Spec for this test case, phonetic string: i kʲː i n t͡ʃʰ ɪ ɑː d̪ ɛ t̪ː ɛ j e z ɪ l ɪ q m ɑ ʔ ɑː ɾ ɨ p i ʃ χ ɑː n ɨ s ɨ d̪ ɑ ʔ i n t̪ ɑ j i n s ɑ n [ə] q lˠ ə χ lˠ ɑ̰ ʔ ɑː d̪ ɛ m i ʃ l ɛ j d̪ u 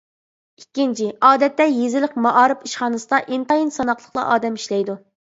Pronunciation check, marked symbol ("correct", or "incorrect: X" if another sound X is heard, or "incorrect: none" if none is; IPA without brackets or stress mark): incorrect: ɑ